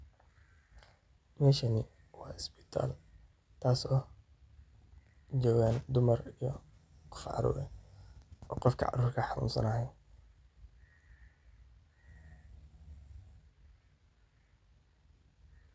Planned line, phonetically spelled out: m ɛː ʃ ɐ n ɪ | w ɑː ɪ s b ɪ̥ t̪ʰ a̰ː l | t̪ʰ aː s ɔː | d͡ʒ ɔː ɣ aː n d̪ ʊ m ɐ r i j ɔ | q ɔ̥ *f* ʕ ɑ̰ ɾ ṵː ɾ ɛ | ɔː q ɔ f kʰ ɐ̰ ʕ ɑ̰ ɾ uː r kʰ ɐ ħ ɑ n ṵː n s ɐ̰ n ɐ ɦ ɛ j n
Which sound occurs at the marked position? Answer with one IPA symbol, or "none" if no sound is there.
f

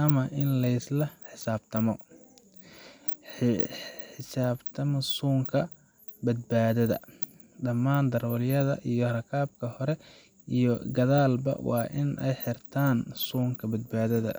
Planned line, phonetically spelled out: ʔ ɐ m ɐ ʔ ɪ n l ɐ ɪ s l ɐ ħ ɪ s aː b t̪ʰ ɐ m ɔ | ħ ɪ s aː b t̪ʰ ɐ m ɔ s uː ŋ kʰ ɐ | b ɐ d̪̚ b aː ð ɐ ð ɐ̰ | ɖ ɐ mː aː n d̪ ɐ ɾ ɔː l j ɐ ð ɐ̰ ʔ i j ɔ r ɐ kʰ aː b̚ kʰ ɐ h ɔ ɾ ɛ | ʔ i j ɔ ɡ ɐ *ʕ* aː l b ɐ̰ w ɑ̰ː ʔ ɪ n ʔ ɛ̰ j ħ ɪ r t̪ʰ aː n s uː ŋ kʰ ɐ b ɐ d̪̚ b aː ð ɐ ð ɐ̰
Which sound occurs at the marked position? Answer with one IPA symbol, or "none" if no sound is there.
ð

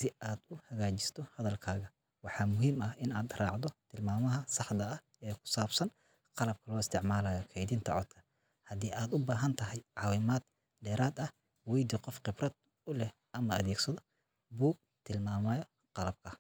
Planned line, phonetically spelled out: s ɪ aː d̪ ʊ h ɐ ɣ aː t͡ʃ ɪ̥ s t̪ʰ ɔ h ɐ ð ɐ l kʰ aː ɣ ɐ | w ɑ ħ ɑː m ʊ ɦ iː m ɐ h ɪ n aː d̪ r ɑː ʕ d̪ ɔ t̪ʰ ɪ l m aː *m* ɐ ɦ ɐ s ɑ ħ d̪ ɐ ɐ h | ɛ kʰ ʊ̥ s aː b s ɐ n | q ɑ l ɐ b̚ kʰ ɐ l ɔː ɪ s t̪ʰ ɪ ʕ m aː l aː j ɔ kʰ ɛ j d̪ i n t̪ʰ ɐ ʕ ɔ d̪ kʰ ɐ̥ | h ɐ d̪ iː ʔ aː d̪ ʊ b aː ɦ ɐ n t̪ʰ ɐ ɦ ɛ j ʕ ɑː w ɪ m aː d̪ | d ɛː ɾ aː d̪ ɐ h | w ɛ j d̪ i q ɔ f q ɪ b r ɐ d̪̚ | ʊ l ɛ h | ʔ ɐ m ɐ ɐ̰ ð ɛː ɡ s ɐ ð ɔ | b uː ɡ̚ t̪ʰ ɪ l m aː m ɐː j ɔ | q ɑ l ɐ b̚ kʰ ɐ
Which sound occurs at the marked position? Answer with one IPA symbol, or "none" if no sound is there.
m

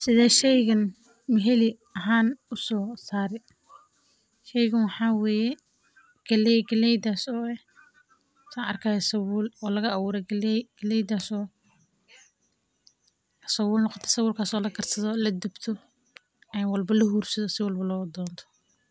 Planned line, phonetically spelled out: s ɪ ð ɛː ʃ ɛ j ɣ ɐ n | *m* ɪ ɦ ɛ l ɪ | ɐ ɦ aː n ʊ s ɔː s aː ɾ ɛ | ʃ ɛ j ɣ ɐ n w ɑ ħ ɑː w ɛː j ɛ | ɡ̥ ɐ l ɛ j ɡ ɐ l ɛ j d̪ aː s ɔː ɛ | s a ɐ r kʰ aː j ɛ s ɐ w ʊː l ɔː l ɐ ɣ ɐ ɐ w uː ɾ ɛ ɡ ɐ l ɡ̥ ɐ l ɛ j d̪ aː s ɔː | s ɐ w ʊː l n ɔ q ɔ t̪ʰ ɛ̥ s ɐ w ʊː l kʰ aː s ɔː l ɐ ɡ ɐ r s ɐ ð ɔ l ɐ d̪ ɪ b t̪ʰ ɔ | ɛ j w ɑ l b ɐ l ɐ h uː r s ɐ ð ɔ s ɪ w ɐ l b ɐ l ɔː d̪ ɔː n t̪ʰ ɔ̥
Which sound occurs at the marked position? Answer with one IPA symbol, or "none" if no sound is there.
m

